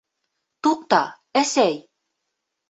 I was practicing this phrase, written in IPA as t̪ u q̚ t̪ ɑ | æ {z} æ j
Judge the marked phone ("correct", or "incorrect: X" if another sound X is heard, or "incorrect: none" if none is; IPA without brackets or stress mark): incorrect: s